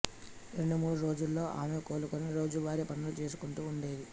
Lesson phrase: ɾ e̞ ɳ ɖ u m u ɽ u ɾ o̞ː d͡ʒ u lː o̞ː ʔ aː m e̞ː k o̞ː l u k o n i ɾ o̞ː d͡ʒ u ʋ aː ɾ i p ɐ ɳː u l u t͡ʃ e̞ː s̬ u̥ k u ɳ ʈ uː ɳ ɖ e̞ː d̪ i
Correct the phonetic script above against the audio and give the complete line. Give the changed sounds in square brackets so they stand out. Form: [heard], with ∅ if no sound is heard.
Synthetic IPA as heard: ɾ e̞ ɳ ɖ u m [uː] ɽ u ɾ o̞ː d͡ʒ u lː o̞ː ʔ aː m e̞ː k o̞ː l u k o n i ɾ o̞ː d͡ʒ u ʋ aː ɾ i p ɐ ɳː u l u t͡ʃ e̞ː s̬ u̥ k u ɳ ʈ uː ɳ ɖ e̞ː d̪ i